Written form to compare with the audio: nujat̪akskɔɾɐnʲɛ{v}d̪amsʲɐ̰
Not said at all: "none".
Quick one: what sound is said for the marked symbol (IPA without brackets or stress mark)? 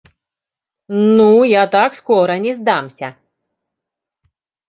z